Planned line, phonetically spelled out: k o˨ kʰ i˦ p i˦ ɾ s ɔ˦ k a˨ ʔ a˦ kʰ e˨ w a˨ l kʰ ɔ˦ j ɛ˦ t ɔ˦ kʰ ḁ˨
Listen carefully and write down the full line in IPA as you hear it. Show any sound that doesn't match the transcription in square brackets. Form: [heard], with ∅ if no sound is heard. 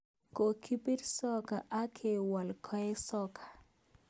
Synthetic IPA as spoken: k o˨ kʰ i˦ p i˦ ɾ s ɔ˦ k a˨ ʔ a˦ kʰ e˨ w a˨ l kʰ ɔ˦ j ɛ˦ [s] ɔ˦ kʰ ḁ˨